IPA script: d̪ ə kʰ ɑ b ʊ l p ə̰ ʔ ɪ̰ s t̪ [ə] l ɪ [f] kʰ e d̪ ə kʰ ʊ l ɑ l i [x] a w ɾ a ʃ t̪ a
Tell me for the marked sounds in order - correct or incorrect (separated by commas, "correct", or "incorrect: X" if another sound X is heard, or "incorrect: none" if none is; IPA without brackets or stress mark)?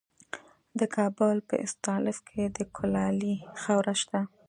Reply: incorrect: ɑ, correct, correct